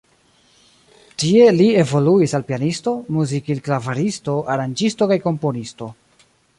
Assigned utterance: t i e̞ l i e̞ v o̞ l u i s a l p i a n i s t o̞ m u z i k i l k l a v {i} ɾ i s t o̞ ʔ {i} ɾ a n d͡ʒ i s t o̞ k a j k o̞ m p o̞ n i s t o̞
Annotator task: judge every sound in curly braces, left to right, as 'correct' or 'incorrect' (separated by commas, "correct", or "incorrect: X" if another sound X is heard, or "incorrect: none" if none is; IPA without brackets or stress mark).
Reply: incorrect: a, incorrect: a